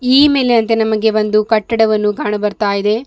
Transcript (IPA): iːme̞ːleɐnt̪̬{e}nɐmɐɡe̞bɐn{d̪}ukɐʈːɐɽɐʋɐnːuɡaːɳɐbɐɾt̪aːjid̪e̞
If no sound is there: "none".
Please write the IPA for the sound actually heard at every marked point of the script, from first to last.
e, d̪

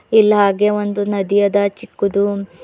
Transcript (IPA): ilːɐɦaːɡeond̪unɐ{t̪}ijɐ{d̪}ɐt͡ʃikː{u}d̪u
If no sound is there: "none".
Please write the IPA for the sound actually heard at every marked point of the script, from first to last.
d̪, d̪, u

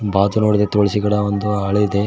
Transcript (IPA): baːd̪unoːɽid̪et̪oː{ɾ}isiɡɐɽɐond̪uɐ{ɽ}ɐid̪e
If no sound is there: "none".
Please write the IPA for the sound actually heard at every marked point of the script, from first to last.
ɭ, ɭ

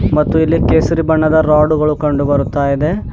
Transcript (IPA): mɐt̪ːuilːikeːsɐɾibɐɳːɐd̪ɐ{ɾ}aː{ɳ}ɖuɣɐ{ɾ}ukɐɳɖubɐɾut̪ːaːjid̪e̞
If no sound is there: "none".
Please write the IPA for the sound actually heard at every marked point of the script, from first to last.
ɾ, none, ɭ

